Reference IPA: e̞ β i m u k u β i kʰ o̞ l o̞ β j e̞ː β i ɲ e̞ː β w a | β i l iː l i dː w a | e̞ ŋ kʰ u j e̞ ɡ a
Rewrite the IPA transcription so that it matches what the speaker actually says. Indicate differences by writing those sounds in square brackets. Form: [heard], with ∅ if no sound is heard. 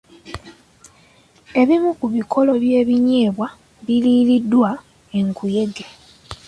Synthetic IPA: e̞ β i m u k u β i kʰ o̞ l o̞ β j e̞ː β i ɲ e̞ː β w a | β i l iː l i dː w a | e̞ ŋ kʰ u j e̞ ɡ [e]